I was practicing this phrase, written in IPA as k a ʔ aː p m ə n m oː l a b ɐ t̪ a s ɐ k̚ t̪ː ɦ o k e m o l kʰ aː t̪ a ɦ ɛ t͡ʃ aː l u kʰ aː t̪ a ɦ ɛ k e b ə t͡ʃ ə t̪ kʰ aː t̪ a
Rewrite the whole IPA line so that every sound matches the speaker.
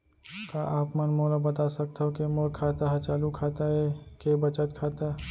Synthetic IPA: k a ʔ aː p m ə n m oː l a b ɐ t̪ a s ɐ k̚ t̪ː ɦ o k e m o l kʰ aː t̪ a ɦ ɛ t͡ʃ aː l u kʰ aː t̪ a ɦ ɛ k e b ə t͡ʃ ə t̪ kʰ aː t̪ a